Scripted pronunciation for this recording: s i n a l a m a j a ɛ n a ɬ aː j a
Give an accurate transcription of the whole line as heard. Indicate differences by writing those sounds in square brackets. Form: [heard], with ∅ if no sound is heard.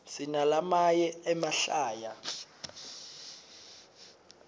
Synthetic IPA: s i n a l a m a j [ɛ] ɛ [m] a ɬ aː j a